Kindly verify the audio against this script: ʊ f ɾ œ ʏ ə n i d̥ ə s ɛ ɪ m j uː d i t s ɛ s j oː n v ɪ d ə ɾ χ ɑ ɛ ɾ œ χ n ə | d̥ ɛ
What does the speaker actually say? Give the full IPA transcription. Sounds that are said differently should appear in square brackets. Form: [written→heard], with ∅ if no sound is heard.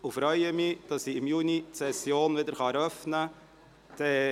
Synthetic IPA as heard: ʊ f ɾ œ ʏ ə [n→m] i d̥ [ə→ɑ] s [ɛ→i] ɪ m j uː [d→n] i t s ɛ s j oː n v ɪ d ə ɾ χ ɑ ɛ ɾ œ [χ→f] n ə | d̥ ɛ